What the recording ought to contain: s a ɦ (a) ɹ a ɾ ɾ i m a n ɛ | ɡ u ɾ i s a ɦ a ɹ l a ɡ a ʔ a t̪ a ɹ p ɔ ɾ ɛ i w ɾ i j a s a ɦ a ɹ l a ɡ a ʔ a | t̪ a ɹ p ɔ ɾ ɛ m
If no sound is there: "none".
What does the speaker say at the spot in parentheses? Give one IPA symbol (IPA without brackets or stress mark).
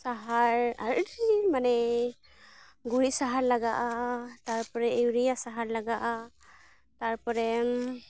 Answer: a